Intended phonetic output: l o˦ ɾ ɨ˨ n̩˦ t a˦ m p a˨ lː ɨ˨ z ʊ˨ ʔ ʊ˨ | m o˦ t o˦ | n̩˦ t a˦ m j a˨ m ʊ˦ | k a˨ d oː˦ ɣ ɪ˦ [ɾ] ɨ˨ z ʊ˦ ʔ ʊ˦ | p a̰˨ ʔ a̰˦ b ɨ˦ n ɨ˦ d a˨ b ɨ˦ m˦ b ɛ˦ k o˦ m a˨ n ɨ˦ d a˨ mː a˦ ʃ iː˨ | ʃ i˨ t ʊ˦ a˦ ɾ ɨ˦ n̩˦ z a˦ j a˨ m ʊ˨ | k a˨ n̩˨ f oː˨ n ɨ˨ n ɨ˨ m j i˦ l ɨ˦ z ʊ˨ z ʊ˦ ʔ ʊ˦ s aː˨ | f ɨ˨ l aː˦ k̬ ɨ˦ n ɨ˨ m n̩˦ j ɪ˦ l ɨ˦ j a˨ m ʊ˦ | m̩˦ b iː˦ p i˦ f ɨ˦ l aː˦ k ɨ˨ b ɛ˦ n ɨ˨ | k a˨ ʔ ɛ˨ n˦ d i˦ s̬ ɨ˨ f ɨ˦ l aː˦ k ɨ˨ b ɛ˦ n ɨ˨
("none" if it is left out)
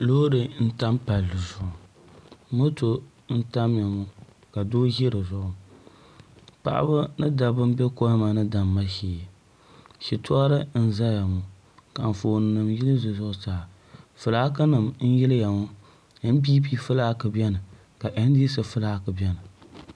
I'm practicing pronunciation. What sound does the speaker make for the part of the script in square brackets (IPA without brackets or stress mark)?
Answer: ɾ